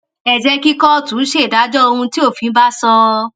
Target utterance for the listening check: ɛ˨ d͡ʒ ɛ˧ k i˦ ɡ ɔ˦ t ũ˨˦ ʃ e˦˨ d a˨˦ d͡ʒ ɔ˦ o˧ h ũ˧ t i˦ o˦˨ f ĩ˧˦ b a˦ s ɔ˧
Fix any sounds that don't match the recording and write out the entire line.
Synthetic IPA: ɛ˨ d͡ʒ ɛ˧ k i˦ k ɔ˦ t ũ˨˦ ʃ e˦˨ d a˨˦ d͡ʒ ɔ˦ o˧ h ũ˧ t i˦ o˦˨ f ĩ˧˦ b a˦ s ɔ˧